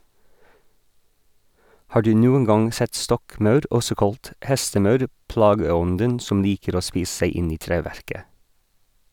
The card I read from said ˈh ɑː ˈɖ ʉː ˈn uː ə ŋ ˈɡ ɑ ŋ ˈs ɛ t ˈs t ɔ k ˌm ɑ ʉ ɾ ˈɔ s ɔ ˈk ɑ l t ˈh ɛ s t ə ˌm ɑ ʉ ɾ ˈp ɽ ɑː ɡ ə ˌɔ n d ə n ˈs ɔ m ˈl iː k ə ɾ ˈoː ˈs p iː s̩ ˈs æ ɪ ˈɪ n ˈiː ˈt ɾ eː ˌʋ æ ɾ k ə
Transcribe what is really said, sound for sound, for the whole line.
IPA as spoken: ˈh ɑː ˈɖ ʉː ˈn uː ə n ˈɡ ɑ ŋ ˈs ɛ t ˈs t ɔ k ˌm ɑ ʉ ɾ ˈɔ s ɔ ˈk ɑ l t ˈh ɛ s t ə ˌm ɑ ʉ ɾ ˈp l ɑː ɡ ə ˌɔ n d ə n ˈs ɔ m ˈl iː k ə ɾ ˈoː ˈs p iː s̩ ˈs æ ɪ ˈɪ n ˈiː ˈt ɾ eː ˌʋ æ ɾ k ə